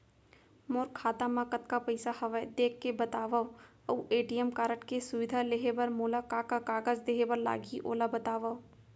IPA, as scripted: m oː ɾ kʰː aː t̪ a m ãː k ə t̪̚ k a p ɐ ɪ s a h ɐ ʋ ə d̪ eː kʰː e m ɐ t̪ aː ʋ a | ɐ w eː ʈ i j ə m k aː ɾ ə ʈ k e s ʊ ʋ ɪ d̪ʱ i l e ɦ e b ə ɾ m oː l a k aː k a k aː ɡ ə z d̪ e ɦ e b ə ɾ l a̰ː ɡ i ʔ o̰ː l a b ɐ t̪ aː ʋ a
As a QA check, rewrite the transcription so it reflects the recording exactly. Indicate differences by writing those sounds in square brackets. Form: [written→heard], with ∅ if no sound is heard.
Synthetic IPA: m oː ɾ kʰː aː t̪ a m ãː k ə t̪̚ k a p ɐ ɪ s a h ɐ ʋ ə d̪ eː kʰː e [m→b] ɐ t̪ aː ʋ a | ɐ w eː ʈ i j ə m k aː ɾ ə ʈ k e s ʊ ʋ ɪ d̪ʱ [i→a] l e ɦ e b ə ɾ m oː l a k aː k a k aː ɡ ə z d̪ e ɦ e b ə ɾ l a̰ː ɡ i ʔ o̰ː l a b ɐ t̪ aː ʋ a